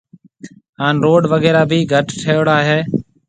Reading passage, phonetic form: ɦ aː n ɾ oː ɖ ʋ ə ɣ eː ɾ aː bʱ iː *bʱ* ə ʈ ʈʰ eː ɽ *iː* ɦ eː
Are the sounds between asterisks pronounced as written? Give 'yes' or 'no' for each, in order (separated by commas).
no, no